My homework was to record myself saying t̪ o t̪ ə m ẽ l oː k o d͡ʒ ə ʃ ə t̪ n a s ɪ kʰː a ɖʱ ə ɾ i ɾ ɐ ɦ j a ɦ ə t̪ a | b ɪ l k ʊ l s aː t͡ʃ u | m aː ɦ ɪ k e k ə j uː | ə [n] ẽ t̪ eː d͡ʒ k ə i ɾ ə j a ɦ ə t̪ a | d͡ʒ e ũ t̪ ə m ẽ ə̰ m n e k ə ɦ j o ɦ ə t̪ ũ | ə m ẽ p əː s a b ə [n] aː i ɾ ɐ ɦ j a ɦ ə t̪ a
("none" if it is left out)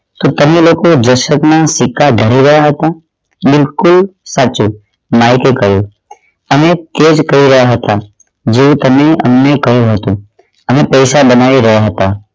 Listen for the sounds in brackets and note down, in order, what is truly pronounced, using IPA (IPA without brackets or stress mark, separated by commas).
m, n